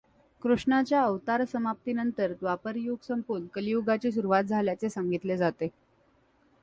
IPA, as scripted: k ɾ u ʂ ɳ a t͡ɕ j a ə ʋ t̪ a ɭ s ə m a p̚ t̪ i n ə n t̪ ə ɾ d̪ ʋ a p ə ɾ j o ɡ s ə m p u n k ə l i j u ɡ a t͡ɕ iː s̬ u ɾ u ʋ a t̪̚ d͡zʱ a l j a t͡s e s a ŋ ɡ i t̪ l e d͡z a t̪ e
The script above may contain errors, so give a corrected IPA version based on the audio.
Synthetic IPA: k ɾ u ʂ ɳ a t͡ɕ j a ə ʋ t̪ a ɾ s ə m a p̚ t̪ i n ə n t̪ ə ɾ d̪ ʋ a p ə ɾ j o ɡ s ə m p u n k ə l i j u ɡ a t͡ɕ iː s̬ u ɾ u ʋ a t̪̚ d͡zʱ a l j a t͡s e s a ŋ ɡ i t̪ l e d͡z a t̪ e